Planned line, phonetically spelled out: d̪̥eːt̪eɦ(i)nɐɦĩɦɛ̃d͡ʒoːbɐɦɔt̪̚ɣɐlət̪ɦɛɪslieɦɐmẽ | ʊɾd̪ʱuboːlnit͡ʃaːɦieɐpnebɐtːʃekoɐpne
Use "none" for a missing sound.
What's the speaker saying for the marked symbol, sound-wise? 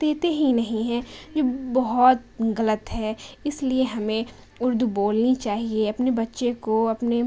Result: i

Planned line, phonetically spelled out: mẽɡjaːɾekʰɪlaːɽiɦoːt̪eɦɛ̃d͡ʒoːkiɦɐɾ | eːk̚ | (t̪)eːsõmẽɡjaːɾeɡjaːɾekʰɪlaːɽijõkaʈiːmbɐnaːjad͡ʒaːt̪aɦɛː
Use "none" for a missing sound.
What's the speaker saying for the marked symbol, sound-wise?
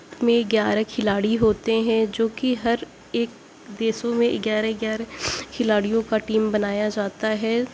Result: d̪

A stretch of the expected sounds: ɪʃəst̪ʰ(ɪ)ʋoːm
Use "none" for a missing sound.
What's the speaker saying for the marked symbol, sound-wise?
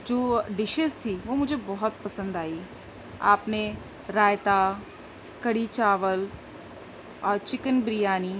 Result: i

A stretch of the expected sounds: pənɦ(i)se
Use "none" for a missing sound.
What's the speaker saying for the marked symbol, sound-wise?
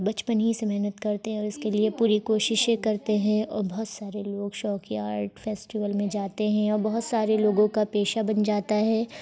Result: i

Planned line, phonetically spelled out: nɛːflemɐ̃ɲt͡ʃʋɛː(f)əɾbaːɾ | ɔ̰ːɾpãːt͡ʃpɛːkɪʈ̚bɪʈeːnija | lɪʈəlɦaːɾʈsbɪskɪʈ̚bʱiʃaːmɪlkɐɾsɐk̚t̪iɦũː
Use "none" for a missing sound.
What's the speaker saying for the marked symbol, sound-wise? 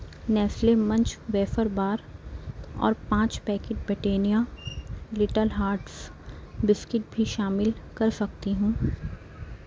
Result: f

